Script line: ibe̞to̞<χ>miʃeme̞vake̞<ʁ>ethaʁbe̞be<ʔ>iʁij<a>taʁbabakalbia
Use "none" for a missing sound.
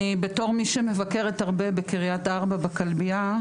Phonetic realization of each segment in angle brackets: ʁ, ʁ, k, a

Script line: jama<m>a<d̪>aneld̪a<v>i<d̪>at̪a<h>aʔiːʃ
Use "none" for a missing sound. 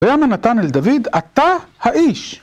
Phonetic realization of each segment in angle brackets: n, t̪, v, d̪, h

